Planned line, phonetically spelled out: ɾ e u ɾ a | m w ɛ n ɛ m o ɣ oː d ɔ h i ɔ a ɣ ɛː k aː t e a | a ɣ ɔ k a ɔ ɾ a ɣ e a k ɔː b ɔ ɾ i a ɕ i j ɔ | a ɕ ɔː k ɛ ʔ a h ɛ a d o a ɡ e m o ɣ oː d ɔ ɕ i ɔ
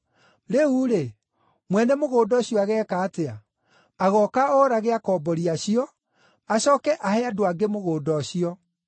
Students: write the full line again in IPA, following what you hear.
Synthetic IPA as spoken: ɾ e u ɾ e | m w ɛ n ɛ m o ɣ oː d ɔ ɕ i ɔ a ɣ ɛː k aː t e a | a ɣ ɔ k a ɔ ɾ a ɣ e a k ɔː b ɔ ɾ i a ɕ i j ɔ | a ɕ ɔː k ɛ ʔ a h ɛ a d o a ɡ e m o ɣ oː d ɔ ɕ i ɔ